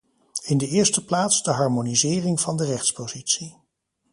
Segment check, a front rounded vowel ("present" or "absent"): absent